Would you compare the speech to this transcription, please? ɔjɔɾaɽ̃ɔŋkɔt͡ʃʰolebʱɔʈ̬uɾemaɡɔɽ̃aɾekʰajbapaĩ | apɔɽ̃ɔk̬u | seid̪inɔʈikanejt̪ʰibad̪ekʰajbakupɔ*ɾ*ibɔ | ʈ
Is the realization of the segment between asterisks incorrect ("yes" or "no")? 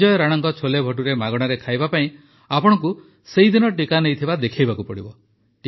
yes